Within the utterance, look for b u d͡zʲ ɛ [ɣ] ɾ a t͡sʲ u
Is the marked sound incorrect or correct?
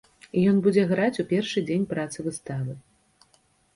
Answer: correct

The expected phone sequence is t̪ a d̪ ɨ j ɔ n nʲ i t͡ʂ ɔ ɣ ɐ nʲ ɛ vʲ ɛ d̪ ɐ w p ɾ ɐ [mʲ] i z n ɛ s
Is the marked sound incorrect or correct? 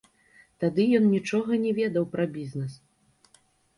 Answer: incorrect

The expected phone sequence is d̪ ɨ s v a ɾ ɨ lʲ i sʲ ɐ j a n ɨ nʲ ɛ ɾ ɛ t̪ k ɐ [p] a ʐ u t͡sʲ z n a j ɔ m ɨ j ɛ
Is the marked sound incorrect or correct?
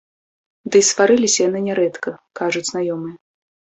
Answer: incorrect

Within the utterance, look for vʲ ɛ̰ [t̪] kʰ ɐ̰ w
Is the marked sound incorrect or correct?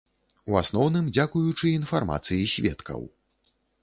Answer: correct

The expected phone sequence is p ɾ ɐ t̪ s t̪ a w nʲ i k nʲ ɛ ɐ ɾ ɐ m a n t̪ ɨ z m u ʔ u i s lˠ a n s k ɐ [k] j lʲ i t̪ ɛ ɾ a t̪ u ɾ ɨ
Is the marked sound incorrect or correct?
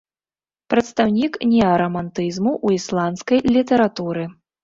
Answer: incorrect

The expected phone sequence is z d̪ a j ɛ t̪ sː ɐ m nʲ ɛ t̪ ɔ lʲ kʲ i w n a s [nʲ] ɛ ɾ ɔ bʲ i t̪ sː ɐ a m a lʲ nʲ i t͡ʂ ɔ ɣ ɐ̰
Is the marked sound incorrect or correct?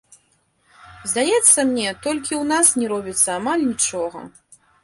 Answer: correct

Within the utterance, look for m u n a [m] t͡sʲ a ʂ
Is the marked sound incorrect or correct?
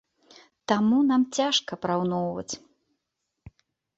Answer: correct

